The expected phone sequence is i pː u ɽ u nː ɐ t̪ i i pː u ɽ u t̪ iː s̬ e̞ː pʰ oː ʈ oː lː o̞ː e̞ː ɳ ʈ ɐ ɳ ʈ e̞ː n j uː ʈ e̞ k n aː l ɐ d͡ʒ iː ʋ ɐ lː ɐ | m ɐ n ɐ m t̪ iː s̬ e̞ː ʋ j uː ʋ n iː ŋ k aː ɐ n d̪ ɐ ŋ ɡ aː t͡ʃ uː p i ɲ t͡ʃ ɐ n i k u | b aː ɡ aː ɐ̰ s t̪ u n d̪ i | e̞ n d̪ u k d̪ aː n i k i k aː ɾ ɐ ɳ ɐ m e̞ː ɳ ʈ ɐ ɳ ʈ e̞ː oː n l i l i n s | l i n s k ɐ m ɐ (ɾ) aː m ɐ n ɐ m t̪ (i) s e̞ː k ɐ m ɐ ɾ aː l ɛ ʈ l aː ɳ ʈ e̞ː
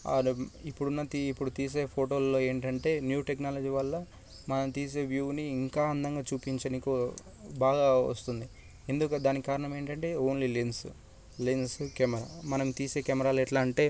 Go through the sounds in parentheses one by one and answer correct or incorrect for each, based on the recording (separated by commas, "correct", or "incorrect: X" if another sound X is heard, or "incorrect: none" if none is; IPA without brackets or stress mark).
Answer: correct, incorrect: iː